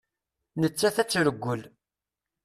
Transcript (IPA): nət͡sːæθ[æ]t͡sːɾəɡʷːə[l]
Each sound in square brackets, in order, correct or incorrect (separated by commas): correct, correct